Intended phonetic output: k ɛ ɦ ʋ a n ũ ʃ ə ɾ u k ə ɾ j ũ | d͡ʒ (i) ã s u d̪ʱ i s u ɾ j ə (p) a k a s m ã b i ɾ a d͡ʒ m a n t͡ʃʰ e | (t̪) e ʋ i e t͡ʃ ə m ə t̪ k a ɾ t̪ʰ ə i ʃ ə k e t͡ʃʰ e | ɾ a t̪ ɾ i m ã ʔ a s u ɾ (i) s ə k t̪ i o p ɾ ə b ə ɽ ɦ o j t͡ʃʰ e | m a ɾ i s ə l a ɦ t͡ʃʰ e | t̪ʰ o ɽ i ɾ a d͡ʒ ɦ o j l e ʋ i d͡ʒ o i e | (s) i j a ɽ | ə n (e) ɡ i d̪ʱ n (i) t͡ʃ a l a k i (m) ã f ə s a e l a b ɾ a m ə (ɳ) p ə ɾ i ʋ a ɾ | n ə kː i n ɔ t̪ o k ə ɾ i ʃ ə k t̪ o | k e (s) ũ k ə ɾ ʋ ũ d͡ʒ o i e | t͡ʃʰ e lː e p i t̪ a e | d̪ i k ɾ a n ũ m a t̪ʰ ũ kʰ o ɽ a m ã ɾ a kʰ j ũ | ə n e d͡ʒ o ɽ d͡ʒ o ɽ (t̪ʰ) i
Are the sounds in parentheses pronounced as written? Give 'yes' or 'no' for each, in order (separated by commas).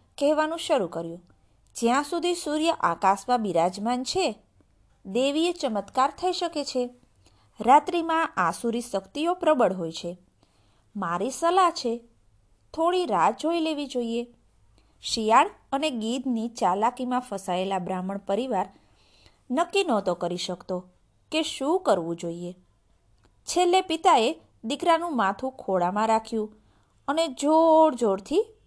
no, no, no, yes, no, yes, yes, yes, yes, no, yes